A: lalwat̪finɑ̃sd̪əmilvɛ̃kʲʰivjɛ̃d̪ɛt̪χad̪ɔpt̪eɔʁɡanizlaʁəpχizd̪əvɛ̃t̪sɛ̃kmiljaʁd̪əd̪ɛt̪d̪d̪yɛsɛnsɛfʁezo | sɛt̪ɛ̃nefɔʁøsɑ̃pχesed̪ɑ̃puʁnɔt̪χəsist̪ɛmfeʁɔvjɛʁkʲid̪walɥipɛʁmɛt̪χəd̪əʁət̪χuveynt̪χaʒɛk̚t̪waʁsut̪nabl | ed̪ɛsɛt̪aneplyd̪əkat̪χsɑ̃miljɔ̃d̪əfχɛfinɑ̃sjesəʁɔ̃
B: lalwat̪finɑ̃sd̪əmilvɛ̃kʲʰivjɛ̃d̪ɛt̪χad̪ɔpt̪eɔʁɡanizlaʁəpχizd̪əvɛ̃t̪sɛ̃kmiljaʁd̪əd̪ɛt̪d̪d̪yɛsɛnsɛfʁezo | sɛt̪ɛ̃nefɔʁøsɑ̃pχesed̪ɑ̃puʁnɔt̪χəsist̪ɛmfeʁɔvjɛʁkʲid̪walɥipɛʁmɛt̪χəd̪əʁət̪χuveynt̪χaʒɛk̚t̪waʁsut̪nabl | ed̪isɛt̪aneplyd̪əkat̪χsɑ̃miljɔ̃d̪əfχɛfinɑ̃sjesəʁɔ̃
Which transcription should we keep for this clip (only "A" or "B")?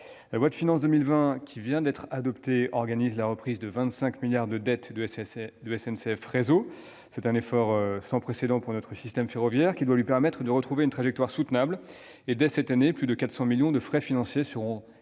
A